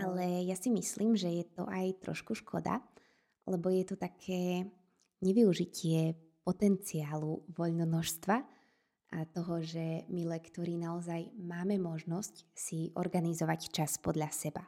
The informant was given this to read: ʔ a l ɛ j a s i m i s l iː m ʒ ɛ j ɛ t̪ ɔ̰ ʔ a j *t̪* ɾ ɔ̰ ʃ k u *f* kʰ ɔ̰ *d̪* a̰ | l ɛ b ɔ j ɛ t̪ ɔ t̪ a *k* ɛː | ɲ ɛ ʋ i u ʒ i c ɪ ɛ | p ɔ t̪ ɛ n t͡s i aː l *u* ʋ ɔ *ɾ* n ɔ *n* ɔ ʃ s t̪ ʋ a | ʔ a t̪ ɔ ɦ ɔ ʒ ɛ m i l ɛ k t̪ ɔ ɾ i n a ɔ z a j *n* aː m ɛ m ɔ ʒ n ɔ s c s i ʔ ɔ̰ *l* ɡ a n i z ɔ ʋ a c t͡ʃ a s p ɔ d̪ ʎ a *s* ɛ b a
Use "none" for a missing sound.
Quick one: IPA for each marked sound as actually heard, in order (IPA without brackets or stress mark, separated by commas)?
t̪, ʃ, d̪, kʰ, u, ʎ, n, m, ɾ, s